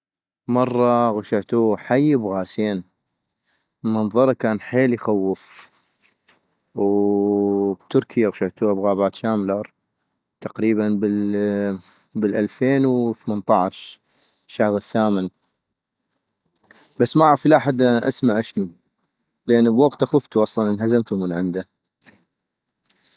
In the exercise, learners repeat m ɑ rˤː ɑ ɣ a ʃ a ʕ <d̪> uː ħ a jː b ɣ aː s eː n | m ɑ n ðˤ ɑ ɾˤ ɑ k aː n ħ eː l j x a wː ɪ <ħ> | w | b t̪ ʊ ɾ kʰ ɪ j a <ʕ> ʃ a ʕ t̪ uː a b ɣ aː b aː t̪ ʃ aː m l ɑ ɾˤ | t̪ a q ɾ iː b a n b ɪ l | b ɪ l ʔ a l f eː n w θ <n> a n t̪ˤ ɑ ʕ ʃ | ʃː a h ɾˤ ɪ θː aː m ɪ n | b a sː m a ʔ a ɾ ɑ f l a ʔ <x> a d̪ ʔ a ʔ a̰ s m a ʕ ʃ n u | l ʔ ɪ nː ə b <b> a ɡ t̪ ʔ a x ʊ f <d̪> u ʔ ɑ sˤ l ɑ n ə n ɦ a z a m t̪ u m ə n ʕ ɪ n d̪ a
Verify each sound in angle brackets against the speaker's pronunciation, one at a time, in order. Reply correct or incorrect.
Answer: incorrect: t̪, incorrect: f, incorrect: ɣ, incorrect: m, incorrect: ħ, incorrect: w, incorrect: t̪

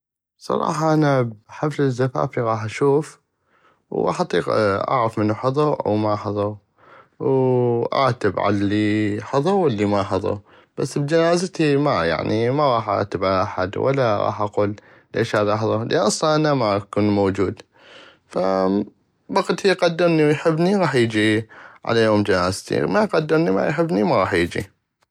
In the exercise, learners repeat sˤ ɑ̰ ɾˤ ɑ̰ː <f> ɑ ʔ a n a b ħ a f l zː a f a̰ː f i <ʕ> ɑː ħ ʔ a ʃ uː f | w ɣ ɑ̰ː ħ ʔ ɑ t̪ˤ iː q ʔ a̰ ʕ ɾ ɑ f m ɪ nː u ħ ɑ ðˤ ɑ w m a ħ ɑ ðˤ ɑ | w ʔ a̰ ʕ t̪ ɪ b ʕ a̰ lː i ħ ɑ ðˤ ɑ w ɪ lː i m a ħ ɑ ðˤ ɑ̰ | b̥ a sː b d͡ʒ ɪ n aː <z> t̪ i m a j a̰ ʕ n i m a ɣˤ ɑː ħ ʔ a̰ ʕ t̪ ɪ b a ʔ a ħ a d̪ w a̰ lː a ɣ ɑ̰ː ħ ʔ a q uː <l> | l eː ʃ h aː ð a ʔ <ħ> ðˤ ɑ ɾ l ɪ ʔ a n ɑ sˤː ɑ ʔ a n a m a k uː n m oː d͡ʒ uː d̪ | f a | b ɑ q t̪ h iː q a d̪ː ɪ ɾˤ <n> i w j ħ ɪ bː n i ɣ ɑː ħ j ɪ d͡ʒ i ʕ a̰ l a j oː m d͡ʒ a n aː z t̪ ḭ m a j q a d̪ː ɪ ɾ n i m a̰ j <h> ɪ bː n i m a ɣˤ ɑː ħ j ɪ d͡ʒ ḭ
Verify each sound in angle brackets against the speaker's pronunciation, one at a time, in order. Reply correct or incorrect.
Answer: incorrect: ħ, incorrect: ɣ, correct, correct, correct, correct, incorrect: ħ

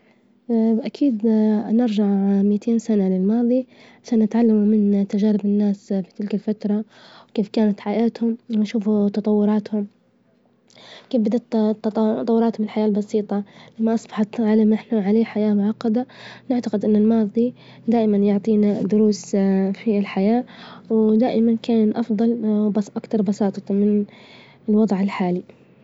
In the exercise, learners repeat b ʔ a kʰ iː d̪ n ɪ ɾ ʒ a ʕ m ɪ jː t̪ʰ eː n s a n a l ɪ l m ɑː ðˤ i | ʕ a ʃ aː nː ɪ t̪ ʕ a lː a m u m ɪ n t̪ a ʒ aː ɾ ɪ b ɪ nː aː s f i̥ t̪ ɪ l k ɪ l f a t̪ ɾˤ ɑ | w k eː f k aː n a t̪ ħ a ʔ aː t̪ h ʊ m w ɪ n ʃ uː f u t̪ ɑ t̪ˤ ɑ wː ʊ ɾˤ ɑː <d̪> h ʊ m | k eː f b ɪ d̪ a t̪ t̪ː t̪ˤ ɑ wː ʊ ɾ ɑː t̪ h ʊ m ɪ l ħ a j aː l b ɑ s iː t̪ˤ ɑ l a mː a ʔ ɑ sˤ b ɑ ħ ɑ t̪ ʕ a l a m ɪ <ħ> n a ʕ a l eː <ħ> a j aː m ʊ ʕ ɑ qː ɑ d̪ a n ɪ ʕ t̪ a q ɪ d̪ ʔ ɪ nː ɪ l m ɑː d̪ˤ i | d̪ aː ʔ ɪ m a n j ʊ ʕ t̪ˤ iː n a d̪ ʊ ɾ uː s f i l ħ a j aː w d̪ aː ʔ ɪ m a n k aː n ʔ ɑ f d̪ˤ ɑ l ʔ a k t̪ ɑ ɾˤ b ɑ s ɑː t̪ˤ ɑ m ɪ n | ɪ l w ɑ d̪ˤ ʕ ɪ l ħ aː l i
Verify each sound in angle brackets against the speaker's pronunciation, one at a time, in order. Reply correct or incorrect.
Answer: incorrect: t̪, correct, correct

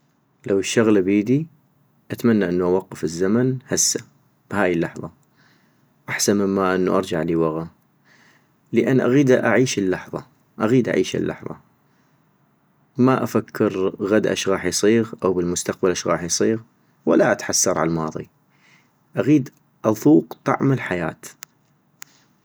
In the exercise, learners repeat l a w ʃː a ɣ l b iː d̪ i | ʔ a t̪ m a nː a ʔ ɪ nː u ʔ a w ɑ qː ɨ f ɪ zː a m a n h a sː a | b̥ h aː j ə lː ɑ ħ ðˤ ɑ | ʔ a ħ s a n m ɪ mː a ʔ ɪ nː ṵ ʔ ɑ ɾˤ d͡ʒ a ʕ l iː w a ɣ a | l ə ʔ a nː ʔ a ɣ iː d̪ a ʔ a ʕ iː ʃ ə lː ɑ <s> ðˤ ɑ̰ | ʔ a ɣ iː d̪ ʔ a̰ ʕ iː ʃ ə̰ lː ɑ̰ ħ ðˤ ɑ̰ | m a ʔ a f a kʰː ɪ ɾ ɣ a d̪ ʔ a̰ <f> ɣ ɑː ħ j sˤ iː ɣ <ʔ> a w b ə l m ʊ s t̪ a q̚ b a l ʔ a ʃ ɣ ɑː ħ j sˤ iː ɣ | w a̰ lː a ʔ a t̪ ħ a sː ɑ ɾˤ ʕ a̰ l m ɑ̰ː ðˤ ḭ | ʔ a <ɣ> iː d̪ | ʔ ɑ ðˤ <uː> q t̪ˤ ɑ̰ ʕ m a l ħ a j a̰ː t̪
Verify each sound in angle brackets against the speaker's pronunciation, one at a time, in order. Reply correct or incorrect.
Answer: incorrect: ħ, incorrect: ʃ, correct, correct, correct

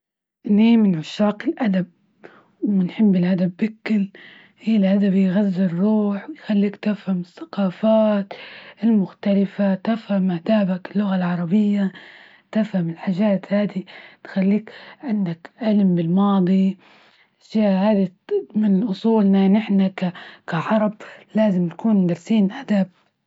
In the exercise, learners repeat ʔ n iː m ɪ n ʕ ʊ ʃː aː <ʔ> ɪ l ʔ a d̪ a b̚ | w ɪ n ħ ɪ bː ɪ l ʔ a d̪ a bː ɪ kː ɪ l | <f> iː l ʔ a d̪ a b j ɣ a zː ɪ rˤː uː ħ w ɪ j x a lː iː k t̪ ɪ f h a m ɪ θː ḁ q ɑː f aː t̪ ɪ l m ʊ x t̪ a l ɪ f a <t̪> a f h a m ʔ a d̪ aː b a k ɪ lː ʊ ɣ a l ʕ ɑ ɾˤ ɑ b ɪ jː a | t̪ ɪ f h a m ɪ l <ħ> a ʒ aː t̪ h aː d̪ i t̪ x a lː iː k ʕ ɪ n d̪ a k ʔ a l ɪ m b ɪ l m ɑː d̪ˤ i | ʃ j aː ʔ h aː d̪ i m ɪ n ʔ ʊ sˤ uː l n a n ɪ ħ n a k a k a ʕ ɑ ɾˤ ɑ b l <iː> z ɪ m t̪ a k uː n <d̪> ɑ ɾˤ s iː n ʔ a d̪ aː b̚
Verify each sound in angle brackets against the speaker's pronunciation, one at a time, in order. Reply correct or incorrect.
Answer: incorrect: q, incorrect: h, correct, correct, incorrect: aː, correct

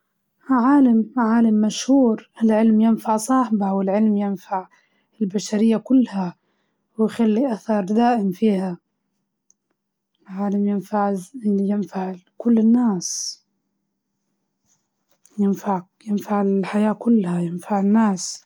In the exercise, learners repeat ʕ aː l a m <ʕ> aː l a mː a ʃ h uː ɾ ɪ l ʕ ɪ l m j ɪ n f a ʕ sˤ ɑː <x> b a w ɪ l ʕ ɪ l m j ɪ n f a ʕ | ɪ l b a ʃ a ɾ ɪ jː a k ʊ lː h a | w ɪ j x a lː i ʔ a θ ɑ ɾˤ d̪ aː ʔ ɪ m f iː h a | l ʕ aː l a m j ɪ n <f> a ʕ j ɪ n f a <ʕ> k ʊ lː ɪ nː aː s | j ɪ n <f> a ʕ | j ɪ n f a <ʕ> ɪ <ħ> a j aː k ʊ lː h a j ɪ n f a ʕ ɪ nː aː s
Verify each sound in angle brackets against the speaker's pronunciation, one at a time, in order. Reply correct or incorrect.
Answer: correct, incorrect: ħ, correct, correct, correct, correct, correct

